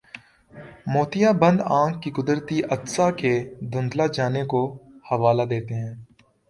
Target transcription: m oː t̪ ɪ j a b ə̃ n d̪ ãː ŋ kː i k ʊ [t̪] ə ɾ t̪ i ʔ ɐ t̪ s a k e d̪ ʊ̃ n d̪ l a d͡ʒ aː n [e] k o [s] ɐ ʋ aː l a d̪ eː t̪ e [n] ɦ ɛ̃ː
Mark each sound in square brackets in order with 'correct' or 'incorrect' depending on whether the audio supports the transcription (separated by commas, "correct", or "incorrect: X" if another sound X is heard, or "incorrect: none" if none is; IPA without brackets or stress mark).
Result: incorrect: d̪, correct, incorrect: h, incorrect: none